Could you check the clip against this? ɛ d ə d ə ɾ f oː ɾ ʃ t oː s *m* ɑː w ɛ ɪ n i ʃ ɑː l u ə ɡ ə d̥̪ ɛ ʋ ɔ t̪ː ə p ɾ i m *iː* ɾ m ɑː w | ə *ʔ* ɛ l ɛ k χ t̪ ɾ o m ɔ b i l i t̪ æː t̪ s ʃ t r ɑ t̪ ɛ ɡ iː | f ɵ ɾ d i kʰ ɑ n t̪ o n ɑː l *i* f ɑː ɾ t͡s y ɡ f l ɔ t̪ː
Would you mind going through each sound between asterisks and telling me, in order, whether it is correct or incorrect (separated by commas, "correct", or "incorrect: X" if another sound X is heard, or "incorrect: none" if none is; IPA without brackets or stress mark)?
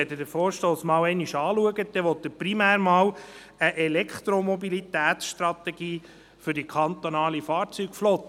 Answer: correct, incorrect: æː, correct, correct